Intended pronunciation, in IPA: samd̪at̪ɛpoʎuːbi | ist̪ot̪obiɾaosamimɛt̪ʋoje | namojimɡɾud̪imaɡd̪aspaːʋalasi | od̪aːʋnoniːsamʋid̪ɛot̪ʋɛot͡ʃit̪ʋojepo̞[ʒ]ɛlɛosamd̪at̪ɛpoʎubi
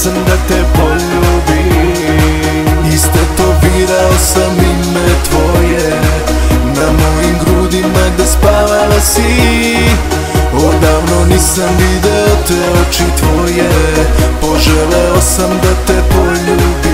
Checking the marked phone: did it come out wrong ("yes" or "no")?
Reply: no